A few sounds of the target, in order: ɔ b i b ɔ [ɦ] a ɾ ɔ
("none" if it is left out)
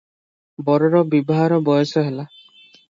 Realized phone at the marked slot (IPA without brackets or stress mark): ɦ